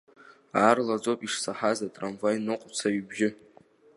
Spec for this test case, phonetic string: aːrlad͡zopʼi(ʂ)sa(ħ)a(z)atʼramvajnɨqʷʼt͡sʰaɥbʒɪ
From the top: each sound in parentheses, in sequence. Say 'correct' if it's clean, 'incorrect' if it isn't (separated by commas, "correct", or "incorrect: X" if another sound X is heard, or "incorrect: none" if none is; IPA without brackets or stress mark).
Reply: correct, correct, correct